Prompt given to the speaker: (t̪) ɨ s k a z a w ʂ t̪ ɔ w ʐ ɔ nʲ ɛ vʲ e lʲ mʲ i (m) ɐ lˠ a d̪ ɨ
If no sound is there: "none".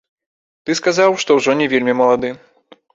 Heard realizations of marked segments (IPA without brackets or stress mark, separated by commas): t̪, m